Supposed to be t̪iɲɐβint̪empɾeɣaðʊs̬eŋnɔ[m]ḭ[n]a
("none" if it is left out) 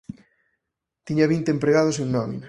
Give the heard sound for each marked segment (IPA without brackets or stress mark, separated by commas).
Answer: m, n